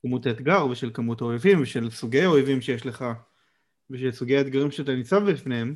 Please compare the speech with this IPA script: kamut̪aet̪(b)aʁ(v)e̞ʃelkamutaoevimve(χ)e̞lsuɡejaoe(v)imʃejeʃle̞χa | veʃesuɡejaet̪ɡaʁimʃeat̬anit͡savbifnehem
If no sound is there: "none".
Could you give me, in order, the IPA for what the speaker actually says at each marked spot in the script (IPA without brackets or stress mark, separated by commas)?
ɡ, v, ʃ, v